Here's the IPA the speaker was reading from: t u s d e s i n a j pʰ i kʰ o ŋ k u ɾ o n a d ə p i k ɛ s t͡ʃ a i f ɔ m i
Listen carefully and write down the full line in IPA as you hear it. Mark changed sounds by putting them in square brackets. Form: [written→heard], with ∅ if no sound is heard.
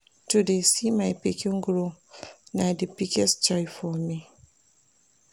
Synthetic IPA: t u [s→∅] d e s i [n→m] a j [pʰ→p] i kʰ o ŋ [k→ɡ] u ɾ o n a d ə p i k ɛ s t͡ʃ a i f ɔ m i